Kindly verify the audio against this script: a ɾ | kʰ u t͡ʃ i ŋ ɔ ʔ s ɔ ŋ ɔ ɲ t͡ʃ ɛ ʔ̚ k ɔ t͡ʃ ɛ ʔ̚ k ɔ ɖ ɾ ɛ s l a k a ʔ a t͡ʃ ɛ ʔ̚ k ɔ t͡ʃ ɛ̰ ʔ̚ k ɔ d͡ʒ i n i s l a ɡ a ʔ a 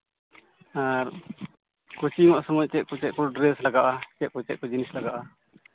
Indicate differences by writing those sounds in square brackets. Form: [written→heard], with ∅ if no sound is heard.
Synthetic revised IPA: a ɾ | [kʰ→k] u t͡ʃ i ŋ ɔ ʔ s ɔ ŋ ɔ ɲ t͡ʃ ɛ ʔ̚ k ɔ t͡ʃ ɛ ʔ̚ k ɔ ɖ ɾ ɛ s l a [k→ɡ] a ʔ a t͡ʃ ɛ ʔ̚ k ɔ t͡ʃ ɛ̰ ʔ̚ k ɔ d͡ʒ i n i s l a ɡ a ʔ a